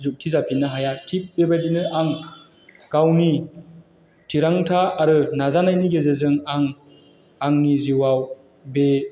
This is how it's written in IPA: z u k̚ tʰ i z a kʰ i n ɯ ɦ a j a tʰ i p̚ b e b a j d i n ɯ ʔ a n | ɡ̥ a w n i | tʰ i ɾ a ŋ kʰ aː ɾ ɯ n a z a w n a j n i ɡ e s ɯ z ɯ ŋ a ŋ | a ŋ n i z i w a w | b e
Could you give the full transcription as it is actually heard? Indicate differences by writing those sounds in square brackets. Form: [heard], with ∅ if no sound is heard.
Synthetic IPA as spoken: z u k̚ tʰ i z a [pʰ] i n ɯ ɦ a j a tʰ i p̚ b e b a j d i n ɯ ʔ a [ŋ] | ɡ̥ a w n i | tʰ i ɾ a ŋ [tʰ] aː ɾ ɯ n a z a [∅] n a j n i ɡ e [z] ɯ z ɯ ŋ a ŋ | a ŋ n i z i w a w | b e